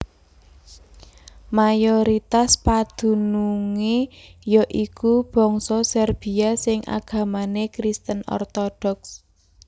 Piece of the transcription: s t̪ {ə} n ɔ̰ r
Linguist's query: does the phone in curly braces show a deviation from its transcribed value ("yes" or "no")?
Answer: no